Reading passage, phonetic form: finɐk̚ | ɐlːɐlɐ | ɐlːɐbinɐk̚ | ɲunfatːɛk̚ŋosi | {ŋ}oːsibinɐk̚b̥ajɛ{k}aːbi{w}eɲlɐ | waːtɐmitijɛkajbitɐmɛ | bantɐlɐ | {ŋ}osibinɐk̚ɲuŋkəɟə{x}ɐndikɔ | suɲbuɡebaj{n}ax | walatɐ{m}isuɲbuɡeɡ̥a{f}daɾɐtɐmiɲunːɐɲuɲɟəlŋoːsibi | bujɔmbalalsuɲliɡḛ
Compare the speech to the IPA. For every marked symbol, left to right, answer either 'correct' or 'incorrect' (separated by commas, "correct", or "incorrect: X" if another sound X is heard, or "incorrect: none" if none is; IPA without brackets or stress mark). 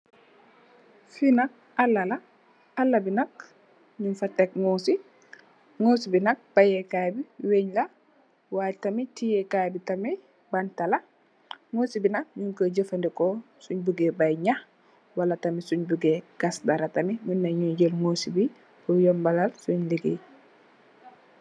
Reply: correct, correct, correct, correct, incorrect: f, incorrect: ɲ, correct, incorrect: s